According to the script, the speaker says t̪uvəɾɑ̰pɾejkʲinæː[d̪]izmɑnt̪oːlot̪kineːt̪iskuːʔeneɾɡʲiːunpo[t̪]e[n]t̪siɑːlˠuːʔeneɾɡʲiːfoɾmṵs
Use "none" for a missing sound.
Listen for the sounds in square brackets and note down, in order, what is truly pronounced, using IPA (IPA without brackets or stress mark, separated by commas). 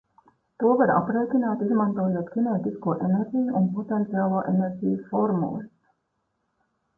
t̪, t̪, n